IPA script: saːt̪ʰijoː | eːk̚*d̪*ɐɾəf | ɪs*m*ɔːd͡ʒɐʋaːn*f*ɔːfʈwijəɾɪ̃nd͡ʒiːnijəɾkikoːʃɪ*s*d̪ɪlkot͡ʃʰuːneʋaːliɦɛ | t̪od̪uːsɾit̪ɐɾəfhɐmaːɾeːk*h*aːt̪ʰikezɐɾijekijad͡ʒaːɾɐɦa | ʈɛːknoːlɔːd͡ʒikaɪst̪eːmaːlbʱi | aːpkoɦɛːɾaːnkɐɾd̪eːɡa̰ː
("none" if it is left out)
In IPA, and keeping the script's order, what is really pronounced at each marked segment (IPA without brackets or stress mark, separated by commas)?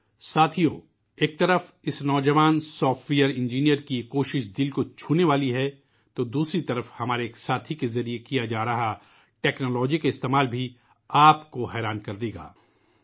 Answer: t̪, n, s, ʃ, s